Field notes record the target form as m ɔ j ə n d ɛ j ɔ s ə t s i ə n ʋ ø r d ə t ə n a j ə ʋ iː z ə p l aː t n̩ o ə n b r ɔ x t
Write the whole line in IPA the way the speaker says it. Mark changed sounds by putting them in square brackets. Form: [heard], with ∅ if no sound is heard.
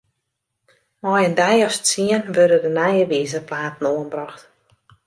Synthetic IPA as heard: m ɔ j ə n d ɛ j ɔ s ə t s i ə n ʋ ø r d ə [d] ə n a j ə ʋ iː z ə p l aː t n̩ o ə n b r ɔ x t